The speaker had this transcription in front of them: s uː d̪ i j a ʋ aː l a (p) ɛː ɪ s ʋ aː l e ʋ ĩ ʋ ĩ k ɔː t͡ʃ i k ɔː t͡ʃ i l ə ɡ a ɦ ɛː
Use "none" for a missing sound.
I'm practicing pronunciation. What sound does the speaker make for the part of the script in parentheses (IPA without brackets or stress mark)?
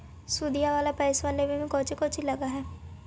p